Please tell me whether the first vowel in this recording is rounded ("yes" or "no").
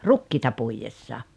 yes